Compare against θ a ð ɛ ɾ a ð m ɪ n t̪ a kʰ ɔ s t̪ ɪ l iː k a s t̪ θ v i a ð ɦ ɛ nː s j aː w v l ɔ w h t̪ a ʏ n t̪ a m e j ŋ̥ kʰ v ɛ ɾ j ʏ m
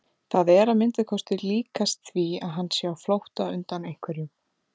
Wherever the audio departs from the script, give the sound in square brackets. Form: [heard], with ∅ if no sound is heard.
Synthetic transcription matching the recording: θ a ð ɛ ɾ a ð m ɪ n t̪ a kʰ ɔ s t̪ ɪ l iː k a s t̪ θ v i a ð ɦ [a] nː s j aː w [f] l [o] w h t̪ a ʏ n t̪ a [n] e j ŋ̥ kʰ v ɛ ɾ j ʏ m